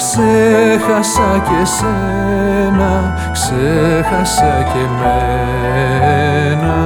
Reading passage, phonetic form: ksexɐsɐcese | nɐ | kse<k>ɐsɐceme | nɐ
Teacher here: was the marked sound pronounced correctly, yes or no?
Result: no